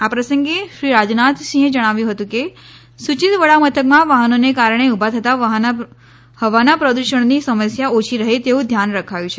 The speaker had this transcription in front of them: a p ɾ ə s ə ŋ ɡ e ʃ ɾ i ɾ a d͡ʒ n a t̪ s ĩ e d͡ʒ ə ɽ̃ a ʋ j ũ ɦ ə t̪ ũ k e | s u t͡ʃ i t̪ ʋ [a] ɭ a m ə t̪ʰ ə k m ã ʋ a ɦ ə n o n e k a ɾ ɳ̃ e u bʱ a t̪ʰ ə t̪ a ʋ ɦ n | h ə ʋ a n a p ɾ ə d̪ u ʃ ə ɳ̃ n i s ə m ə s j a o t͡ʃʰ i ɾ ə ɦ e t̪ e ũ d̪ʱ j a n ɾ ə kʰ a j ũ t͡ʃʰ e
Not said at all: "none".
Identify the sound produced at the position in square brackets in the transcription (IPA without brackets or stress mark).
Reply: ə